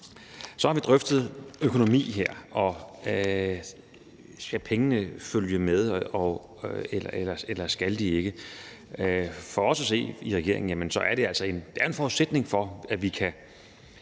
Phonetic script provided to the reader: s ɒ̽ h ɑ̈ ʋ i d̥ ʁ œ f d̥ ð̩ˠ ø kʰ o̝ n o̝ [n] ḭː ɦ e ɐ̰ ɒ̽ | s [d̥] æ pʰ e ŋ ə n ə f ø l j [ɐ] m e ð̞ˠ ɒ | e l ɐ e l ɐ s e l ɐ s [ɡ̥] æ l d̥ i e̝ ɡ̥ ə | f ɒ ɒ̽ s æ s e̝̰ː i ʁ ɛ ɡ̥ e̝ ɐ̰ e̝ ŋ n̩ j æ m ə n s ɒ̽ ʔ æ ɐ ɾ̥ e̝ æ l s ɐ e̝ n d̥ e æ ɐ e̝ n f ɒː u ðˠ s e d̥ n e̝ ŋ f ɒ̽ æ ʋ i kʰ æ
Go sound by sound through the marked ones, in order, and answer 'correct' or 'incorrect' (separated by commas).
incorrect, incorrect, incorrect, correct